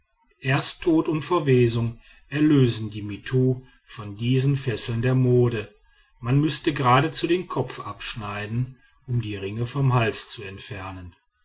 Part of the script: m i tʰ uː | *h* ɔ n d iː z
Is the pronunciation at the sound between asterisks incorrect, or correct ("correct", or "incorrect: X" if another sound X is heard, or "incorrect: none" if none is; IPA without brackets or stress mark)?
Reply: incorrect: f